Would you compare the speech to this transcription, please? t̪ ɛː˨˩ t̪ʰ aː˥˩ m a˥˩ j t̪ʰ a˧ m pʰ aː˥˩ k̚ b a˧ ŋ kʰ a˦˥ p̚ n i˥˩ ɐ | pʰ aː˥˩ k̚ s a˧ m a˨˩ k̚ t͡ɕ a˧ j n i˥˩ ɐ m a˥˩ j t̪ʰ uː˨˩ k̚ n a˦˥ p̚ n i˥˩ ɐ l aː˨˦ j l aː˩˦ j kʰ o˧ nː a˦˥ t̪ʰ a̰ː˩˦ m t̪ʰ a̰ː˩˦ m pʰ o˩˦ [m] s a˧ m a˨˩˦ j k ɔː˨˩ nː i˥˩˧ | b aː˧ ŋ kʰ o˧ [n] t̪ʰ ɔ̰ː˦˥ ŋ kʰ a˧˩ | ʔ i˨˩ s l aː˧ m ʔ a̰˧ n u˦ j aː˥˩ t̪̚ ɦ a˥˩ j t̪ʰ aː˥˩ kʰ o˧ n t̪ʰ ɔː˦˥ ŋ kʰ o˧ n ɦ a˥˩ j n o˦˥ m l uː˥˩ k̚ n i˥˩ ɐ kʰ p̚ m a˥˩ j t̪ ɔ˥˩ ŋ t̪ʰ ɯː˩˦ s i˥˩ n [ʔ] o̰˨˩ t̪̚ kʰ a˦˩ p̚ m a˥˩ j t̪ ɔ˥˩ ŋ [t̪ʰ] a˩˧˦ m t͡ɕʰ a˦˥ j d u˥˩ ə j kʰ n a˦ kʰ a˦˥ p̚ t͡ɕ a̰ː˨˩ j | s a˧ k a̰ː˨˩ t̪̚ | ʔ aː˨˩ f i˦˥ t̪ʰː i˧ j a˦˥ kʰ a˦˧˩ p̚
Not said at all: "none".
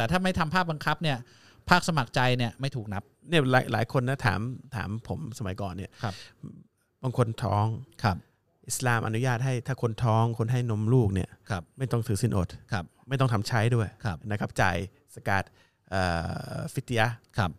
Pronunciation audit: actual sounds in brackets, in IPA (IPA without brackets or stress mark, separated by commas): m, n, ʔ, t̪ʰ